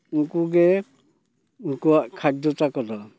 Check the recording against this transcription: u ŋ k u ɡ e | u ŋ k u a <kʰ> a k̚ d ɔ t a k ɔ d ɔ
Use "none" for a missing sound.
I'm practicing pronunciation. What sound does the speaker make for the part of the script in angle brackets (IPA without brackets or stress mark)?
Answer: kʰ